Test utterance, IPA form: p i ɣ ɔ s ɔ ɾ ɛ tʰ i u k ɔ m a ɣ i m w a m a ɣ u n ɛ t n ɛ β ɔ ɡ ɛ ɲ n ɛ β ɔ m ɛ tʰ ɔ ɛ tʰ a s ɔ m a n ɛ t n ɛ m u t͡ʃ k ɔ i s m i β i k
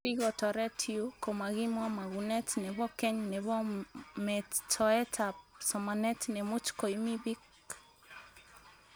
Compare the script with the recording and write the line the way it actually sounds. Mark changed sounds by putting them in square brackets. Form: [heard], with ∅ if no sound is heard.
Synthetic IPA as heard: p i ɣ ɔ [t] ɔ ɾ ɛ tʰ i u k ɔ m a ɣ i m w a m a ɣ u n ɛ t n ɛ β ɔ [k] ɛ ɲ n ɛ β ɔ m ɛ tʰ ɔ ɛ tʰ a s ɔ m a n ɛ t n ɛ m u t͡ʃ k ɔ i [∅] m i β i k